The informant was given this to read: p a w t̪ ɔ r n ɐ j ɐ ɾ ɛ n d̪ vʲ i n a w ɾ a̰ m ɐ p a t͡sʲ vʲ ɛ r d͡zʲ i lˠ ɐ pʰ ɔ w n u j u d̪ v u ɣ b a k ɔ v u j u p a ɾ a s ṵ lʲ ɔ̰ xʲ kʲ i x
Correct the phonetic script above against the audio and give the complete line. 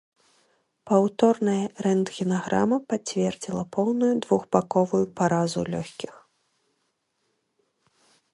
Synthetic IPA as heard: p a w t̪ ɔ r n ɐ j ɐ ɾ ɛ n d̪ ɣʲ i n a ɣ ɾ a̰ m ɐ p a t͡sʲ vʲ ɛ r d͡zʲ i lˠ ɐ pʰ ɔ w n u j u d̪ v u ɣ b a k ɔ v u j u p a ɾ a z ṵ lʲ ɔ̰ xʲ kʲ i x